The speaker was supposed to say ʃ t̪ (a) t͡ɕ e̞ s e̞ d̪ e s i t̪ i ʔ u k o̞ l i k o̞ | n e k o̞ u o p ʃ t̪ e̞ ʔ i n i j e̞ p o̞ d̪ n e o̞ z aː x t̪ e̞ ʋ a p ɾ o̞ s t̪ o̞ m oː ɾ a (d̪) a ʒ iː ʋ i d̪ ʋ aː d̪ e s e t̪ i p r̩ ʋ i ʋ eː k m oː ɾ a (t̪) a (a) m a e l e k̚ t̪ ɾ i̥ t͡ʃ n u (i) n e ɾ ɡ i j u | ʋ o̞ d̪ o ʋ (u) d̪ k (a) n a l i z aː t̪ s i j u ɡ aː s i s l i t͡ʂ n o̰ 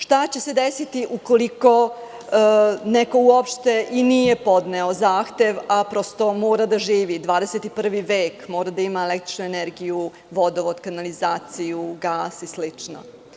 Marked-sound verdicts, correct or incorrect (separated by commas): correct, correct, incorrect, incorrect, incorrect, incorrect, correct